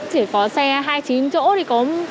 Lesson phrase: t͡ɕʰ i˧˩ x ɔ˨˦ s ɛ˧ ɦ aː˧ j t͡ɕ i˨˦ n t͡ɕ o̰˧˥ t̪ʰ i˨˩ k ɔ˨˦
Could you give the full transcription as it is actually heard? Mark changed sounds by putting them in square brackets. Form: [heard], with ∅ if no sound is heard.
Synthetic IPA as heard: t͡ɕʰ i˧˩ [k] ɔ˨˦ s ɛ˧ ɦ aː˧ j t͡ɕ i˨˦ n t͡ɕ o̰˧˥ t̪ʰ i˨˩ k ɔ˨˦